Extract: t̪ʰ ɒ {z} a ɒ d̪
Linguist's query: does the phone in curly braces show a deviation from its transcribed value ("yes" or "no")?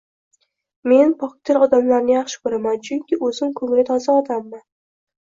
no